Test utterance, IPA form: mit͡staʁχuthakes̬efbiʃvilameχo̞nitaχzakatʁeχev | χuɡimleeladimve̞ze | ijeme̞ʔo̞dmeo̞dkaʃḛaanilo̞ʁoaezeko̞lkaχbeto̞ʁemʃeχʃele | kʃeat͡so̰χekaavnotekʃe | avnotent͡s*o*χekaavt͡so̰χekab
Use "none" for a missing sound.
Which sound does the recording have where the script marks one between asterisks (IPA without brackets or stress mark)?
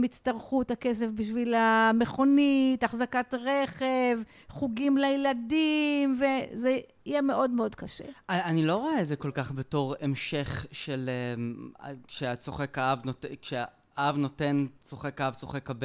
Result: o